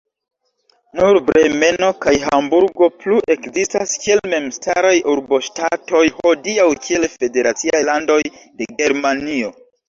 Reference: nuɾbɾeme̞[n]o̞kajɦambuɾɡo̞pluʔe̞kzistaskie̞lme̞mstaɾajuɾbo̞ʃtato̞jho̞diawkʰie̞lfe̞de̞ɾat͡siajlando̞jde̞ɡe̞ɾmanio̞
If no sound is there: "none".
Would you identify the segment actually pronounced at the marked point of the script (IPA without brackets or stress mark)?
n